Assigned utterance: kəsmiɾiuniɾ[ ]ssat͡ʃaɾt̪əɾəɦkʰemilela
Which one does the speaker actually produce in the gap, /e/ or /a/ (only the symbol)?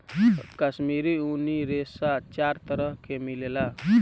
e